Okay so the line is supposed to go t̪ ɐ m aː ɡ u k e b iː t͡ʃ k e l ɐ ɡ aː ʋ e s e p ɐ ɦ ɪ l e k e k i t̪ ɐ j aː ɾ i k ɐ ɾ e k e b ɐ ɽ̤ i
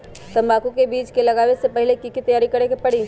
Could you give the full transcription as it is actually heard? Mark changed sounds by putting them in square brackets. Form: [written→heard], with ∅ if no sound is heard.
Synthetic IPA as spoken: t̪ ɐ m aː [ɡ→k] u k e b iː t͡ʃ k e l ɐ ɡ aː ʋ e s e p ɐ ɦ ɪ l e k [e→i] k i t̪ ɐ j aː ɾ i k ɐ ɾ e k e [b→p] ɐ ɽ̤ i